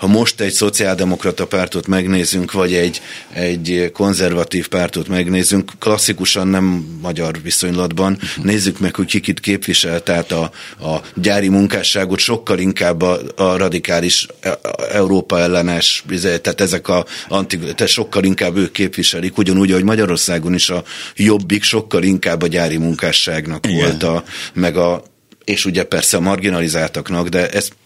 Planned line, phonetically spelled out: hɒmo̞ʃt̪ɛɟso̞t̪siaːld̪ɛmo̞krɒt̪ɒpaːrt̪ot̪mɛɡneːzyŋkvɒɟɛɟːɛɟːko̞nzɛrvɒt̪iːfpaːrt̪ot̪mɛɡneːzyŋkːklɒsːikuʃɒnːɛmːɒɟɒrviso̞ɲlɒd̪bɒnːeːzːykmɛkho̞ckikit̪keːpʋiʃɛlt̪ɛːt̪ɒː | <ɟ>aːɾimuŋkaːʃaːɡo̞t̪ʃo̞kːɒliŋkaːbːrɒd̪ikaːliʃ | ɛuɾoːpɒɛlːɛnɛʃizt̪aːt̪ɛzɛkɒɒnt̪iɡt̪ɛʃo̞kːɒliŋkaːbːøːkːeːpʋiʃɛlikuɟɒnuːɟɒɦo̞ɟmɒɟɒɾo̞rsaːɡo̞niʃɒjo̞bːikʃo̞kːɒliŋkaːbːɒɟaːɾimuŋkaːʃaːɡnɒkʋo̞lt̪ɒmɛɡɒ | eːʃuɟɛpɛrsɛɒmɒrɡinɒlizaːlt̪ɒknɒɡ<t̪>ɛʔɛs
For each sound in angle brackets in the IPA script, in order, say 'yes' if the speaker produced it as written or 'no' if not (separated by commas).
yes, no